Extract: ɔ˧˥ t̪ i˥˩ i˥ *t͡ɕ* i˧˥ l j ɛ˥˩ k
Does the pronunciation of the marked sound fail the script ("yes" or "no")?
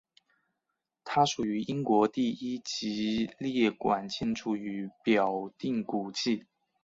no